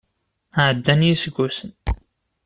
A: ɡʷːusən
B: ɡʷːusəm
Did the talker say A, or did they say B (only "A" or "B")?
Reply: A